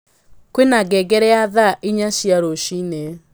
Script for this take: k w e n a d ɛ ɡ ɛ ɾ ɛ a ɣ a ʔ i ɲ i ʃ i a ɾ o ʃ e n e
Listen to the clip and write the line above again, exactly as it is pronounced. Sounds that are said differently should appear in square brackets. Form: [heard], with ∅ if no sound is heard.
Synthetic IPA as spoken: k w e n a [ɡ] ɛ ɡ ɛ ɾ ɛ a [ð] a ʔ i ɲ [a] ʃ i a ɾ o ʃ [i] n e